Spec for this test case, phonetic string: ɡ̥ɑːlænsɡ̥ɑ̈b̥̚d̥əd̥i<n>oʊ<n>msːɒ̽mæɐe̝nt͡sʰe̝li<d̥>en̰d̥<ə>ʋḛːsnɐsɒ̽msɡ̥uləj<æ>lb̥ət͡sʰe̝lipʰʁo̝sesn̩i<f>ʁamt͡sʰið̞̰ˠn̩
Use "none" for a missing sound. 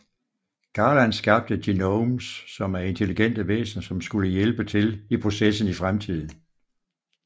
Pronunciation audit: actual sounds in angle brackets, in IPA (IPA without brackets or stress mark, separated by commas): n, none, ɡ̥, ə, e, f